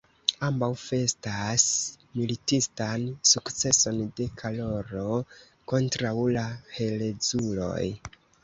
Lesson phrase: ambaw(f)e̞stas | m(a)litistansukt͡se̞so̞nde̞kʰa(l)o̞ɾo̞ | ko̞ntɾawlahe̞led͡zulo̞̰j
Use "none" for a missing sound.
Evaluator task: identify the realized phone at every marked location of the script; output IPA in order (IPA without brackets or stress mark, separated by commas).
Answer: f, i, l